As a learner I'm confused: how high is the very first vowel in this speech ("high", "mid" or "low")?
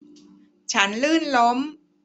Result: low